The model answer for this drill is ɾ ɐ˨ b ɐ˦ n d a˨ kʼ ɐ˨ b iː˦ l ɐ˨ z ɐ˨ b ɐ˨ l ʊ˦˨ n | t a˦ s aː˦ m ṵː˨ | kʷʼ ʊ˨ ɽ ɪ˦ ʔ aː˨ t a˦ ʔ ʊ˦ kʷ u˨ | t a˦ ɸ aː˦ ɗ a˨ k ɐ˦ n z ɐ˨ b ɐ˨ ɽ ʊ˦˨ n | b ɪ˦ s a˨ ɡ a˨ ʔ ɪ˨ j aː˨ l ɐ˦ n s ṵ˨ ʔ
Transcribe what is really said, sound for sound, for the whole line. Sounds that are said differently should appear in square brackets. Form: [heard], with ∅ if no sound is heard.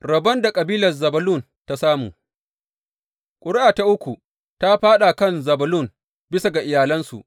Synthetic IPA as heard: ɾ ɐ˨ b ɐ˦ n d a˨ kʼ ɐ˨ b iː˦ l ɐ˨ z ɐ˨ b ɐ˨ l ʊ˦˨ n | t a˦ s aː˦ m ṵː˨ | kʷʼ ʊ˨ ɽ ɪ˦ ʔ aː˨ t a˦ ʔ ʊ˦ kʷ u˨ | t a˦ ɸ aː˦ ɗ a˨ k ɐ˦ n z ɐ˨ b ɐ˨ [l] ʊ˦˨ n | b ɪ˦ s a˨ ɡ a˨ ʔ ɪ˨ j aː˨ l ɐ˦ n s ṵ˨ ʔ